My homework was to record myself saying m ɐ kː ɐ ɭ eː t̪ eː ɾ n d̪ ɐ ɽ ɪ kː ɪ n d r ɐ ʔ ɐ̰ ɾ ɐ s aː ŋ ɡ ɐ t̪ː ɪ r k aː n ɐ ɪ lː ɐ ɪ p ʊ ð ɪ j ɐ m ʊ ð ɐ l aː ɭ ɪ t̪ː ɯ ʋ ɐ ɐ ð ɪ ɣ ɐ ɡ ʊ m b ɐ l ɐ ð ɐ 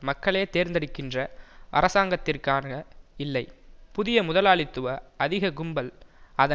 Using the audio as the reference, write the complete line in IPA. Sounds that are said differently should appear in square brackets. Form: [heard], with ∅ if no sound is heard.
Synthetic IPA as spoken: m ɐ kː ɐ ɭ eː t̪ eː ɾ n d̪ ɐ ɽ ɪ kː ɪ n d r ɐ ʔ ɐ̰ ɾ ɐ s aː ŋ ɡ ɐ t̪ː ɪ r k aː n ɐ ɪ lː ɐ ɪ p ʊ ð ɪ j ɐ m ʊ ð ɐ l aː ɭ ɪ t̪ː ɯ ʋ ɐ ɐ ð ɪ ɣ ɐ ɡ ʊ m b ɐ l ɐ ð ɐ